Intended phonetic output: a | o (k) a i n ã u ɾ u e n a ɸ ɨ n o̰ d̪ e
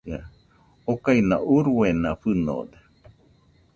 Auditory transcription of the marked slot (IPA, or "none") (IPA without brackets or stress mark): k